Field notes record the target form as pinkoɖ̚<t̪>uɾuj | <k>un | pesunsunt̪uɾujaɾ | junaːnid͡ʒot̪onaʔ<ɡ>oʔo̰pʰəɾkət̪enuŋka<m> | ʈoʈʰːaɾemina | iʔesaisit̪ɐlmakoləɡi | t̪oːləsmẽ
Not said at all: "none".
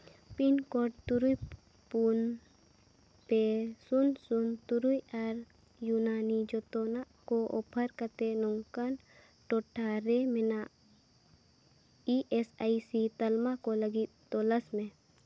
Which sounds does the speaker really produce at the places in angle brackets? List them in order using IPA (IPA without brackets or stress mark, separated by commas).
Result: t̪, p, k, n